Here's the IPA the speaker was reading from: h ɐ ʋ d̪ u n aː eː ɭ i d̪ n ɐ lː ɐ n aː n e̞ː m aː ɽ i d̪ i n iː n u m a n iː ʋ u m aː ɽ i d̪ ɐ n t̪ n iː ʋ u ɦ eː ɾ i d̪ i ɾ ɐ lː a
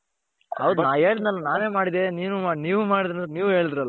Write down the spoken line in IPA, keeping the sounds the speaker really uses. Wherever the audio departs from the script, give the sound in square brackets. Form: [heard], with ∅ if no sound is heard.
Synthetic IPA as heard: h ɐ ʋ d̪ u n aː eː ɭ i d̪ n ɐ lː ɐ n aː n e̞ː m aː ɽ i d̪ [e] n iː n u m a n iː ʋ u m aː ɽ i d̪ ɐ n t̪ n iː ʋ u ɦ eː [ɭ] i d̪ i ɾ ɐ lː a